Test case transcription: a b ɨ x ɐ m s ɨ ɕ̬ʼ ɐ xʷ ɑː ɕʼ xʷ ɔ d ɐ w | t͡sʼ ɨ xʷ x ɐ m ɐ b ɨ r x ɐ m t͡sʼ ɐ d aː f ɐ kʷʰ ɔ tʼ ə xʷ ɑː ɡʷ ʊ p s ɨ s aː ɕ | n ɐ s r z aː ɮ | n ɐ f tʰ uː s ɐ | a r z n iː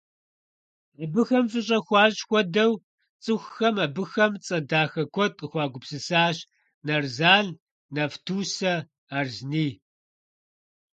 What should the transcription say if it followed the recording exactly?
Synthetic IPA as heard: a b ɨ x ɐ m f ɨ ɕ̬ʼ ɐ xʷ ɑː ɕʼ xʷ ɔ d ɐ w | t͡sʼ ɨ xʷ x ɐ m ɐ b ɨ x ɐ m t͡sʼ ɐ d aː x ɐ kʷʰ ɔ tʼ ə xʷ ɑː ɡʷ ʊ p s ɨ s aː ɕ | n ɐ r z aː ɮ | n ɐ f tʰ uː s ɐ | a r z n iː